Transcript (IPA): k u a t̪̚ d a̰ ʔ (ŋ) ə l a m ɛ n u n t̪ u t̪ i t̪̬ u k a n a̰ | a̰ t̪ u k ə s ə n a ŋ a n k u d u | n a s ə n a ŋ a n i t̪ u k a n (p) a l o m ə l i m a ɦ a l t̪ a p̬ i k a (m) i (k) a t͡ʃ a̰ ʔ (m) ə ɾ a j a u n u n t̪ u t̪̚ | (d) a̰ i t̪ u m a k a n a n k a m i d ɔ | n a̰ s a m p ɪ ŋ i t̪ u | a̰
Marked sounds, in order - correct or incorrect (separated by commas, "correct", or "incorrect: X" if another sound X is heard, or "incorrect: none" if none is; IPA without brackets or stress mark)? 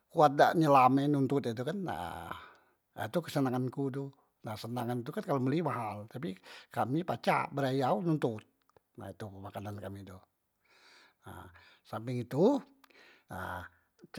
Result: incorrect: ɲ, incorrect: k, correct, incorrect: p, incorrect: b, incorrect: n